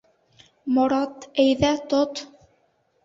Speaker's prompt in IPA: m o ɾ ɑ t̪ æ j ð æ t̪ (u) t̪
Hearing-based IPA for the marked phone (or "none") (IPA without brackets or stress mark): o